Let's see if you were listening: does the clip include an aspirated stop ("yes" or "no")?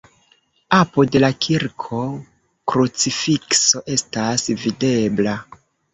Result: yes